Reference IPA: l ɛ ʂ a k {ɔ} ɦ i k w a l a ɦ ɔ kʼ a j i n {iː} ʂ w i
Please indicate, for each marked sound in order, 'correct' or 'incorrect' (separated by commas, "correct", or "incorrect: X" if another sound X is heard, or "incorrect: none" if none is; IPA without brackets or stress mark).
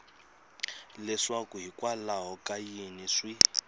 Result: incorrect: u, incorrect: i